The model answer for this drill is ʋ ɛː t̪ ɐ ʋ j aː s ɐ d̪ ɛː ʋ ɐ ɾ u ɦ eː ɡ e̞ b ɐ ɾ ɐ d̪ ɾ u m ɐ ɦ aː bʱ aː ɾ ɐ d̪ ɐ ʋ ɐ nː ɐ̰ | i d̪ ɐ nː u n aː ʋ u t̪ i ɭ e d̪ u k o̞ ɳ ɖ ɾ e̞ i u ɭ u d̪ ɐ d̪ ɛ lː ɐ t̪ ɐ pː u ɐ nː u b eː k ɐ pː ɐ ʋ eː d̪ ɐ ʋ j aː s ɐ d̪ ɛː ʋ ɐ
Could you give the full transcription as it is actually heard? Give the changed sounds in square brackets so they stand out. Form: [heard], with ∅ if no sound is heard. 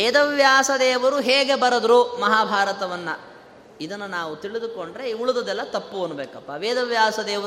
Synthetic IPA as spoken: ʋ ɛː [d̪] ɐ ʋ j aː s ɐ d̪ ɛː ʋ ɐ ɾ u ɦ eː ɡ e̞ b ɐ ɾ ɐ d̪ ɾ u m ɐ ɦ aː bʱ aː ɾ ɐ [t̪] ɐ ʋ ɐ nː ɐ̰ | i d̪ ɐ nː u n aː ʋ u t̪ i ɭ [i] d̪ u k o̞ ɳ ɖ ɾ e̞ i u ɭ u d̪ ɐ d̪ ɛ lː ɐ t̪ ɐ pː u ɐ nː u b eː k ɐ pː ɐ ʋ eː d̪ ɐ ʋ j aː s ɐ d̪ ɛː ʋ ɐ